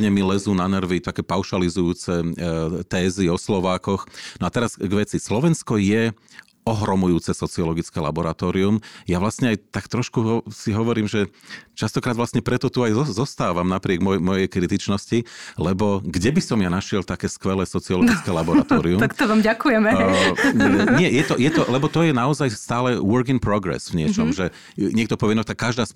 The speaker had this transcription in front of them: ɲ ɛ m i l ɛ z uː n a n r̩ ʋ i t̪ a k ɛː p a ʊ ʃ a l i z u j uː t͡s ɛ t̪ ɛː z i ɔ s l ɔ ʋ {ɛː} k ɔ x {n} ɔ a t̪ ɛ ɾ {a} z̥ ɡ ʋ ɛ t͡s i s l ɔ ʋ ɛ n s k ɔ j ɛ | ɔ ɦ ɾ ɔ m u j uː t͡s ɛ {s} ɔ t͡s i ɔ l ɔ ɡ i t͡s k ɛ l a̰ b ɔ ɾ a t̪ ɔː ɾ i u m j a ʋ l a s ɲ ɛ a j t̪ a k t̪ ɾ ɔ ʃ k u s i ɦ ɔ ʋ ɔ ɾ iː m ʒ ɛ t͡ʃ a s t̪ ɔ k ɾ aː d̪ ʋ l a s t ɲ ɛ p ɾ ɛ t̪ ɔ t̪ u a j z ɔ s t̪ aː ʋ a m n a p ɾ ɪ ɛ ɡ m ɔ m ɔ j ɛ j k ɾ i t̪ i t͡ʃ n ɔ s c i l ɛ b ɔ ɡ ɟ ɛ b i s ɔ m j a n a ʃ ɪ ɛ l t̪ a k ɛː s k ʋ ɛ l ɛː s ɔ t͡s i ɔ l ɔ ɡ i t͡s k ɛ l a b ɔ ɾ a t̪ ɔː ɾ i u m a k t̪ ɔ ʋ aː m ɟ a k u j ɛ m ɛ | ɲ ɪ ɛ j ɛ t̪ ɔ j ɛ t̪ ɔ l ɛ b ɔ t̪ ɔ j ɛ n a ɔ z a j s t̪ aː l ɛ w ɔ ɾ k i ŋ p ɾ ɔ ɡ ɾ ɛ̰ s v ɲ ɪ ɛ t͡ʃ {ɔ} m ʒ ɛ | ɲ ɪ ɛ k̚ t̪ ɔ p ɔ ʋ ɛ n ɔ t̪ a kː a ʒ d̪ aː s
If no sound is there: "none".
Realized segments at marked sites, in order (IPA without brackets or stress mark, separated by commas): aː, n, a, s, ɔ